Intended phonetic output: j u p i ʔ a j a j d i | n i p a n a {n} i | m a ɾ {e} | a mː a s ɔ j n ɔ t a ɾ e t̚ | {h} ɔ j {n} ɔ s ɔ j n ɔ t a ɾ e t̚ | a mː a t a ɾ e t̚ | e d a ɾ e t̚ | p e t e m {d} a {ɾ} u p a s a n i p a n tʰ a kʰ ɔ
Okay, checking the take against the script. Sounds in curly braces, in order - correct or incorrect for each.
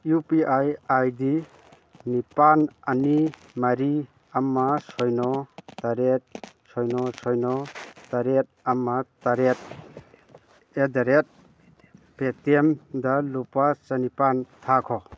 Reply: correct, incorrect: i, incorrect: s, correct, correct, incorrect: l

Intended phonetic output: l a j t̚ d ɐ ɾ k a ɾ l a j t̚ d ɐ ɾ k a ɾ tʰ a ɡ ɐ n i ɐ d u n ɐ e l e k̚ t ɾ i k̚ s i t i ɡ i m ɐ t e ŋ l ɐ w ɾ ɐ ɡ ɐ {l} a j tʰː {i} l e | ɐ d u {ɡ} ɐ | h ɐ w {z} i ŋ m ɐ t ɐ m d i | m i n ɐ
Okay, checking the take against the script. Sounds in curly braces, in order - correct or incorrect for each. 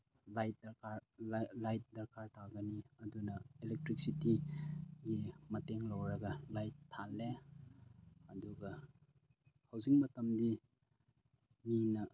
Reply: correct, incorrect: a, correct, correct

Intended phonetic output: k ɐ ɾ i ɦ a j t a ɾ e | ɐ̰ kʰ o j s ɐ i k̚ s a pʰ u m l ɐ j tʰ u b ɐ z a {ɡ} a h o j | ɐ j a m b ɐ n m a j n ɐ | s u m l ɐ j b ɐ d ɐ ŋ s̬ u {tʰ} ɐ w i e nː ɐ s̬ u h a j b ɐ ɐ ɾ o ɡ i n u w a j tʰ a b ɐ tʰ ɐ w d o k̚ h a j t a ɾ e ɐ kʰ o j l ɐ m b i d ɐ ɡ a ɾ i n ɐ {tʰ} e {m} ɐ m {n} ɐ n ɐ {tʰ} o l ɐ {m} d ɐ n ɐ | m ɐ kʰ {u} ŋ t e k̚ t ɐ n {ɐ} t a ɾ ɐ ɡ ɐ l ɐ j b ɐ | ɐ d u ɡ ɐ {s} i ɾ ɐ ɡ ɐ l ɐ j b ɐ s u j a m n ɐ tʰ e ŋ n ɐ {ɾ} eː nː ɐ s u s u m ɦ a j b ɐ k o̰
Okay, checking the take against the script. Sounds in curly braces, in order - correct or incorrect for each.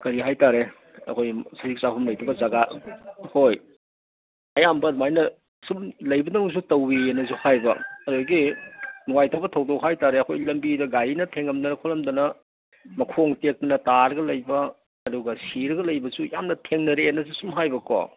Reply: correct, incorrect: t, correct, incorrect: ŋ, incorrect: d, incorrect: kʰ, correct, incorrect: o, correct, correct, correct

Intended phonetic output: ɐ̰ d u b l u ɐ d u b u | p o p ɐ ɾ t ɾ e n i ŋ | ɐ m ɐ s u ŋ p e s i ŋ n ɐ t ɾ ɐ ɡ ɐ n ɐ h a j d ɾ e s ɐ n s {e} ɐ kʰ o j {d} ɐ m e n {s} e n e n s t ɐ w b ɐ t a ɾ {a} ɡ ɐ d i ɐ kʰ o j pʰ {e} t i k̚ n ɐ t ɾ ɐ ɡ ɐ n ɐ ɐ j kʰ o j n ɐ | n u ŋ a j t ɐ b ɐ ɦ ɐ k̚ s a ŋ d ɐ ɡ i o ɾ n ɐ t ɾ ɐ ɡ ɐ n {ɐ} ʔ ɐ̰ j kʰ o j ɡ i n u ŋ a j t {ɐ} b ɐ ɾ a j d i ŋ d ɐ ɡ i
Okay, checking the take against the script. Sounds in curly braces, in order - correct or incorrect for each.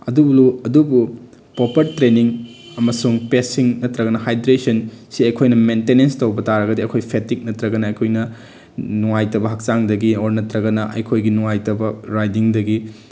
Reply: incorrect: i, incorrect: n, incorrect: t, incorrect: ɐ, correct, correct, correct

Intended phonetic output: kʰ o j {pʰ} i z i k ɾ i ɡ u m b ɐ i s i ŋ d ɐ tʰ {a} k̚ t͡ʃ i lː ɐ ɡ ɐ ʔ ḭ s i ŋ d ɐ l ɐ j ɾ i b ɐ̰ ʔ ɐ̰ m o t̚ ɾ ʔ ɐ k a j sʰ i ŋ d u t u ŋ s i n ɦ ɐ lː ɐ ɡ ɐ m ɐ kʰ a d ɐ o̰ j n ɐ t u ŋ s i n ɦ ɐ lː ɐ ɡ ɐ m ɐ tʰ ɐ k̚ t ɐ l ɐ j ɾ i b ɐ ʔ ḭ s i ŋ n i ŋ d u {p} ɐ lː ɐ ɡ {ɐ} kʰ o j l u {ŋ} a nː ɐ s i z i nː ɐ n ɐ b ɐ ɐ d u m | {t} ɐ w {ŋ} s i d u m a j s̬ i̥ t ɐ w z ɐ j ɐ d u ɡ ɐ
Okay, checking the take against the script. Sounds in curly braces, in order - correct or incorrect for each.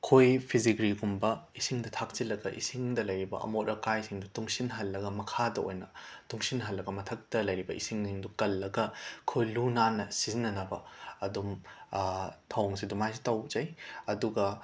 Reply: correct, correct, incorrect: k, correct, incorrect: n, incorrect: tʰ, correct

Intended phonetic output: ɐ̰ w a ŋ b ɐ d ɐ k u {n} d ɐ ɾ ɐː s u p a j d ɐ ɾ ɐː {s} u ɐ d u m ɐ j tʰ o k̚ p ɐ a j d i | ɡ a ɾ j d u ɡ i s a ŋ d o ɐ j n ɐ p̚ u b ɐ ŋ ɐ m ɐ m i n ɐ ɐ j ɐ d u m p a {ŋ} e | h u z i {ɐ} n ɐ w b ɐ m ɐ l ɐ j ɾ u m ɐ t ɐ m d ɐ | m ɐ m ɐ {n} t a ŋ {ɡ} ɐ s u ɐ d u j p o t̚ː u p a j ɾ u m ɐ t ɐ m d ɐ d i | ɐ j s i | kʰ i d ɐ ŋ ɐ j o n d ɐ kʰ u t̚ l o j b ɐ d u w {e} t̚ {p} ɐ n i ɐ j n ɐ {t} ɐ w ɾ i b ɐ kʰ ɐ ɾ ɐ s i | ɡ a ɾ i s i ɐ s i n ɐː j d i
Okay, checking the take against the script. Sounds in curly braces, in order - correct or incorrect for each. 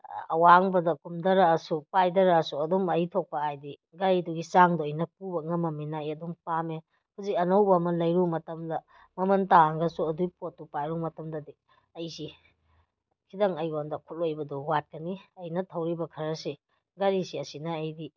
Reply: incorrect: m, correct, incorrect: m, correct, correct, correct, incorrect: a, incorrect: k, incorrect: tʰ

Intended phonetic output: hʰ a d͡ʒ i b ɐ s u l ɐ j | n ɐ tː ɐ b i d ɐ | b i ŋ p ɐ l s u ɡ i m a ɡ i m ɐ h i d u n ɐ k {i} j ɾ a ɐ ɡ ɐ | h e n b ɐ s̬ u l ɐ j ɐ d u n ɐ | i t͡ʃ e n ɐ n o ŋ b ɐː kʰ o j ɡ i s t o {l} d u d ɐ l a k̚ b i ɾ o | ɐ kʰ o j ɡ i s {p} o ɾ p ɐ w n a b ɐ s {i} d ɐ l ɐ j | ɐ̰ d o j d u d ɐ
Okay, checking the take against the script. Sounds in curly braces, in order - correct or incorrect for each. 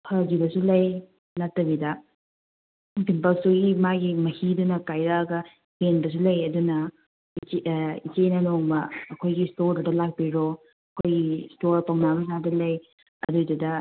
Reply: incorrect: a, incorrect: ɾ, incorrect: t, incorrect: a

